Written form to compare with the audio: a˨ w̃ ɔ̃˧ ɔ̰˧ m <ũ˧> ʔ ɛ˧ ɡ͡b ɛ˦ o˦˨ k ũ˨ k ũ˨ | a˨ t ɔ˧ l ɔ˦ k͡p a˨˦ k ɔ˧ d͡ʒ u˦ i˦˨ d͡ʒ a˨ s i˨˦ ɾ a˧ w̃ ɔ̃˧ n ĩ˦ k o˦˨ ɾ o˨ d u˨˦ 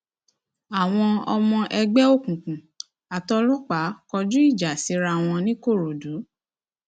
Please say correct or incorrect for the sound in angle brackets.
incorrect: ɔ̃˧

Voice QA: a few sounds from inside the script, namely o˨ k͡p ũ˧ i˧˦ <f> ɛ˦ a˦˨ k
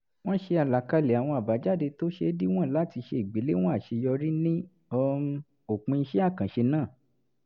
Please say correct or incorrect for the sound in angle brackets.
incorrect: ʃ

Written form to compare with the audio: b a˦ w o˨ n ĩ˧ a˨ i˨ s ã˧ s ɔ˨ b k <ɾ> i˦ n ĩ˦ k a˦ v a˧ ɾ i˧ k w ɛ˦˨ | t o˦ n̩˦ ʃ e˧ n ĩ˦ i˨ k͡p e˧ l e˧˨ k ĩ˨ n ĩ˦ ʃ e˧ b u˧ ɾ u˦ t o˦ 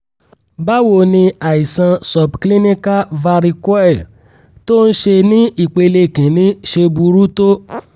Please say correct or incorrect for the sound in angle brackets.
incorrect: l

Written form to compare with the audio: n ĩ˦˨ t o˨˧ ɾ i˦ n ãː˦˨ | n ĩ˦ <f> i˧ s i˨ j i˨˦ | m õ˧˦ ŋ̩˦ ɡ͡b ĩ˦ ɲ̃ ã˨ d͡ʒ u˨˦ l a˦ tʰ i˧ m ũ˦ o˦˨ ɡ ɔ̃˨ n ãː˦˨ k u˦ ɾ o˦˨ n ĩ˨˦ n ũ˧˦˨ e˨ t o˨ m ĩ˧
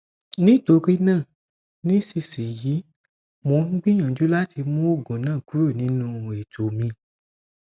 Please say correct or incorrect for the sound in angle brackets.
incorrect: s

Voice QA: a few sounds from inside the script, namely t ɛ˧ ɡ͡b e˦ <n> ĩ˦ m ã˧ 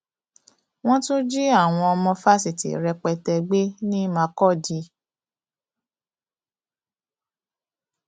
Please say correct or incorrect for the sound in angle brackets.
correct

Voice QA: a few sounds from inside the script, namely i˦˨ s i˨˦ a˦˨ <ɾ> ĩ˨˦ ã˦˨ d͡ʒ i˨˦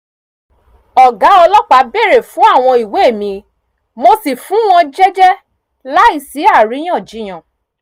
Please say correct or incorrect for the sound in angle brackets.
correct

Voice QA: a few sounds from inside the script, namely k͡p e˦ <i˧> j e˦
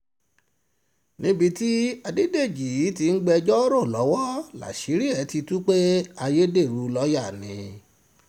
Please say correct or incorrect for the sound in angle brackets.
incorrect: a˧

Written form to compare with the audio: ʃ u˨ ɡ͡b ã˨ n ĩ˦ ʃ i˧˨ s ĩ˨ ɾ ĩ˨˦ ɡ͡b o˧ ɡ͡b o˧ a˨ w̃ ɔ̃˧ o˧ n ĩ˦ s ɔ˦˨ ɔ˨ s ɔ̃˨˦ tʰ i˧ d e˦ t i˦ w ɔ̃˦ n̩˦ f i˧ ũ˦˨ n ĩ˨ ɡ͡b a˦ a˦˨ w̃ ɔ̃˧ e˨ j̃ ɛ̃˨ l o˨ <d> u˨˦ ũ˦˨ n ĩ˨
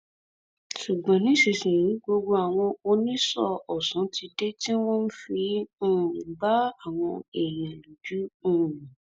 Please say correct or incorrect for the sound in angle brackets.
incorrect: d͡ʒ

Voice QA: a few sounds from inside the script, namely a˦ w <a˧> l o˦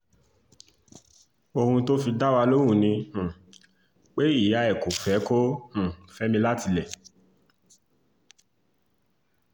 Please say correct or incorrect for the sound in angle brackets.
correct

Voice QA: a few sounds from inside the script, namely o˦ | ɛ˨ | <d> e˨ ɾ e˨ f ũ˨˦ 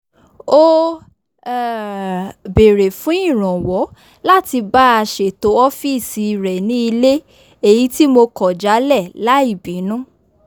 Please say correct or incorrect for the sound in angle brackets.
incorrect: b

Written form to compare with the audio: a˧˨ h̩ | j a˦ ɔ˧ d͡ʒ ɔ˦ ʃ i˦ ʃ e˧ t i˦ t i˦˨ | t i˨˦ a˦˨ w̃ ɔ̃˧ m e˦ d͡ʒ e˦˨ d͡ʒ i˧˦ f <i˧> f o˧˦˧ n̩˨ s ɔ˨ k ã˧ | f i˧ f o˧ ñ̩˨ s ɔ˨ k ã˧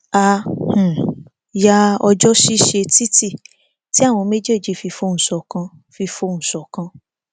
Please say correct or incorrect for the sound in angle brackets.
correct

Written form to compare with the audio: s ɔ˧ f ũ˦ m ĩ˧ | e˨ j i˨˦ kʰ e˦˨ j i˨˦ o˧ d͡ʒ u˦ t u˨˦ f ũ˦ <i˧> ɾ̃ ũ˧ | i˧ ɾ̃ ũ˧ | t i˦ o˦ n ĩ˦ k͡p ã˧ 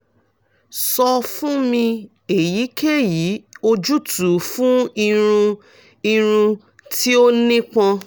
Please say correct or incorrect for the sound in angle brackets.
correct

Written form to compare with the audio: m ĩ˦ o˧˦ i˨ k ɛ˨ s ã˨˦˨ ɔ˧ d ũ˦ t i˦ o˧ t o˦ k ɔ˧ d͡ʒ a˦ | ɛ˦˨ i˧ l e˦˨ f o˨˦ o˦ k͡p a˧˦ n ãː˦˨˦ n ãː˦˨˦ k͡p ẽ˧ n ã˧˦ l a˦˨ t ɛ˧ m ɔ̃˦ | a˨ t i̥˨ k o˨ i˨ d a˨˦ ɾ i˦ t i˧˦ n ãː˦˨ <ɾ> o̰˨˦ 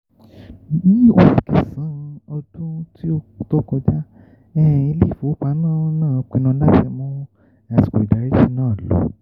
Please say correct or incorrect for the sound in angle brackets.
incorrect: l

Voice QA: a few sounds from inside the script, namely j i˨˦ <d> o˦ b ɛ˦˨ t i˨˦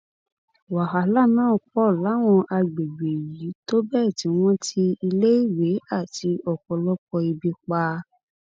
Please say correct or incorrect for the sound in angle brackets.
incorrect: t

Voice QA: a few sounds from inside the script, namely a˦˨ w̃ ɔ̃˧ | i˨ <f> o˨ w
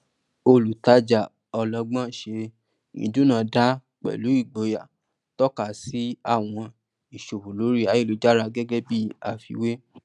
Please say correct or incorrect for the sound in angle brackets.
incorrect: ʃ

